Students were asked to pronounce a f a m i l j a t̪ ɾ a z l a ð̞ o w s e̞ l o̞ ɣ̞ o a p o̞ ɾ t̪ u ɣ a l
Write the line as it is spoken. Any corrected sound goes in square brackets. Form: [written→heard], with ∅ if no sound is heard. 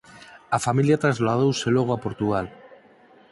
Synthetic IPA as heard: a f a m i l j a t̪ ɾ a z l a ð̞ o w s e̞ l o̞ ɣ̞ o a p o̞ ɾ t̪ u ɣ a l

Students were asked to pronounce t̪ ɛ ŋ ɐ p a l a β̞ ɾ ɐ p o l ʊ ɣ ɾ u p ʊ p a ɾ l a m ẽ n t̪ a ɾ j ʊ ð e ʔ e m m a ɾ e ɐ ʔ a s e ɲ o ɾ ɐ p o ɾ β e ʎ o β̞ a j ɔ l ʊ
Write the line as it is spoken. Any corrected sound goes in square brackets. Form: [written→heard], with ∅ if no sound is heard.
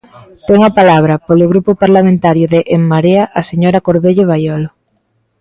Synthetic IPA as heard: t̪ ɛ ŋ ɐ p a l a β̞ ɾ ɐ p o l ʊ ɣ ɾ u p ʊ p a ɾ l a m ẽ n t̪ a ɾ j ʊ ð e ʔ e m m a ɾ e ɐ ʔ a s e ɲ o ɾ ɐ [p→k] o ɾ β e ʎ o β̞ a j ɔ l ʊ

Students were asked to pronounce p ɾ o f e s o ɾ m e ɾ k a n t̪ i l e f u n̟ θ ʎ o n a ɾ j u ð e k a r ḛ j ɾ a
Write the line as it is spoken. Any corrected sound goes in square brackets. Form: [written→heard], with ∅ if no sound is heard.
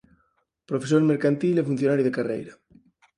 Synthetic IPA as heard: p ɾ o f e s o ɾ m e ɾ k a n t̪ i l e f u n̟ θ [ʎ→j] o n a ɾ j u ð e k a r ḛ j ɾ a

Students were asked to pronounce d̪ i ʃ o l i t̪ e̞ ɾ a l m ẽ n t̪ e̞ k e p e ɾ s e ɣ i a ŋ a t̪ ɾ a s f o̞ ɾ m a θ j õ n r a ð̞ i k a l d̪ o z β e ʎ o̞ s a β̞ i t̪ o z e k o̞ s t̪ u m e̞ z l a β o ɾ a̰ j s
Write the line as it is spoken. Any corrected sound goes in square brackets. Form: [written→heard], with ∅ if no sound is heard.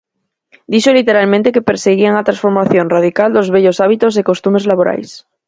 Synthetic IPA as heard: d̪ i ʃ o l i t̪ e̞ ɾ a l m ẽ n t̪ e̞ k e p e ɾ s e ɣ i a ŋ a t̪ ɾ a s f o̞ ɾ m a θ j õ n r a ð̞ i k a l d̪ o z β e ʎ o̞ s a β̞ i t̪ o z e k o̞ s t̪ u m e̞ z l a β o ɾ a̰ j s

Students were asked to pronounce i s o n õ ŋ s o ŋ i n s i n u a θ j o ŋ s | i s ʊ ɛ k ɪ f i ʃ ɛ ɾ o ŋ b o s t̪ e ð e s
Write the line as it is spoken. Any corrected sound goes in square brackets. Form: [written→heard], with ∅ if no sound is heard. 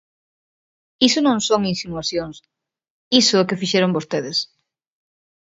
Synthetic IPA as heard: i s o n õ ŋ s o ŋ i n s i n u a θ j o ŋ s | i s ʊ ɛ k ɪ f i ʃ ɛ ɾ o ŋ b o s t̪ e ð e s

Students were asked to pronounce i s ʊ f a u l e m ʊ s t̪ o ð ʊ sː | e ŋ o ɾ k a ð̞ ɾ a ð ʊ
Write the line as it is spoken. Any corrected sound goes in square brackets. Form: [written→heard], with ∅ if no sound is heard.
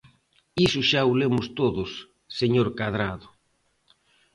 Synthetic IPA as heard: i s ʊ [f→ʃ] a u l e m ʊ s t̪ o ð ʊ sː | e [ŋ→ɲ] o ɾ k a ð̞ ɾ a ð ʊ

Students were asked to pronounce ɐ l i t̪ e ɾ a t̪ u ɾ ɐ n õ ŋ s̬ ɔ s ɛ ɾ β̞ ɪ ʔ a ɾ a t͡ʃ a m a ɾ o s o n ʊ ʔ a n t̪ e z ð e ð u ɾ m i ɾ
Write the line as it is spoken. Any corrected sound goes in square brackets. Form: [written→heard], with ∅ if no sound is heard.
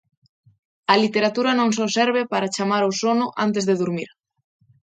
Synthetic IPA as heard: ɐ l i t̪ e ɾ a t̪ u ɾ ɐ n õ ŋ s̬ ɔ s ɛ ɾ β̞ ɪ [ʔ→p] a ɾ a t͡ʃ a m a ɾ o s o n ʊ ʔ a n t̪ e z ð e ð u ɾ m i ɾ

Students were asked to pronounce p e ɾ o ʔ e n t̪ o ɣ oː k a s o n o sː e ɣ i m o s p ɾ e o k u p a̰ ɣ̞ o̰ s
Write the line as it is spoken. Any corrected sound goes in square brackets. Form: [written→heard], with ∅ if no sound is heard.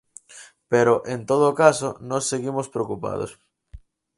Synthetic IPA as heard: p e ɾ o ʔ e n t̪ o [ɣ→ð] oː k a s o n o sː e ɣ i m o s p ɾ e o k u p a̰ [ɣ̞→ð̞] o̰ s

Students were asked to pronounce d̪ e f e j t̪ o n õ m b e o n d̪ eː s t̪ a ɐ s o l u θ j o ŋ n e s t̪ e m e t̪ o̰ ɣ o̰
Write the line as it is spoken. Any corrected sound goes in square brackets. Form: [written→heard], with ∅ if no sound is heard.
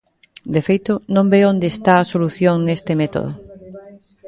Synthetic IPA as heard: d̪ e f e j t̪ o n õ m b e o n d̪ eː s t̪ a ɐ s o l u θ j o ŋ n e s t̪ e m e t̪ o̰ [ɣ→ð] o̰

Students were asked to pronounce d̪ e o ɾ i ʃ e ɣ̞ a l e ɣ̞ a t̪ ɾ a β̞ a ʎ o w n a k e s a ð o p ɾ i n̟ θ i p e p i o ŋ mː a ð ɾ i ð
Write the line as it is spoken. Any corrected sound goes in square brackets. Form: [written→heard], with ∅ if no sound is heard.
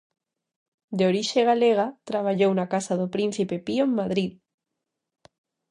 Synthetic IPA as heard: d̪ e o ɾ i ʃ e ɣ̞ a l e ɣ̞ a t̪ ɾ a β̞ a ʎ o w n a k [e→a] s a ð o p ɾ i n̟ θ i p e p i o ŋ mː a ð ɾ i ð

